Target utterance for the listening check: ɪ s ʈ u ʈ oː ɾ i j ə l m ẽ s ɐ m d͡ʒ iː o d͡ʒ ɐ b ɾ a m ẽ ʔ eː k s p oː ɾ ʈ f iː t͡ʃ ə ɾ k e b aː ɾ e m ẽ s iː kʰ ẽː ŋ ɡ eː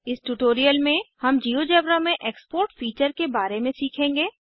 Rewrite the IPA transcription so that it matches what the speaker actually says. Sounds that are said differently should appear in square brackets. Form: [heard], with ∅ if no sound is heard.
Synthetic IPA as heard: ɪ s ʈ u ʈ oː ɾ i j ə l m ẽ [h] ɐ m d͡ʒ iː o d͡ʒ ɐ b ɾ a m ẽ ʔ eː k s p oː ɾ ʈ f iː t͡ʃ ə ɾ k e b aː ɾ e m ẽ s iː kʰ ẽː ŋ ɡ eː